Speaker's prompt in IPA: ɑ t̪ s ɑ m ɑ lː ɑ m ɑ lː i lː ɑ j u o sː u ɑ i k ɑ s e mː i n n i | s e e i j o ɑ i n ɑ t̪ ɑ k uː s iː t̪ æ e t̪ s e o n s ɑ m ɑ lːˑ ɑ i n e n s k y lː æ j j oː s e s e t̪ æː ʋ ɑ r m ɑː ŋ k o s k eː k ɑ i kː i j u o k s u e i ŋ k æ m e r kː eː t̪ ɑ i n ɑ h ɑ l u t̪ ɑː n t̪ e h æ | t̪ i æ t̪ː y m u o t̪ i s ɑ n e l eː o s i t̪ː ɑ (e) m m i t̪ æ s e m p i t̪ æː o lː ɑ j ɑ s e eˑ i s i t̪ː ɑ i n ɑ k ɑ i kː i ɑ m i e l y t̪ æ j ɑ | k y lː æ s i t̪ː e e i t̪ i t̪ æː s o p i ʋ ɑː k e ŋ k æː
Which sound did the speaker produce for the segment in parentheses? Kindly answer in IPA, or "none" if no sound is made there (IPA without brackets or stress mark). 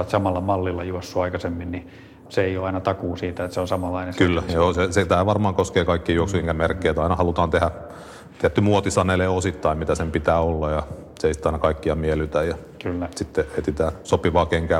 i